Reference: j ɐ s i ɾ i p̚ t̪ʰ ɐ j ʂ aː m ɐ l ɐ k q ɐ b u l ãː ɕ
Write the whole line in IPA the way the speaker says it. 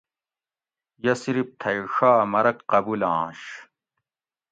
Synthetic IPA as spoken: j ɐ s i ɾ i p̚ t̪ʰ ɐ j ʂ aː m ɐ ɾ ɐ k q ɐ b u l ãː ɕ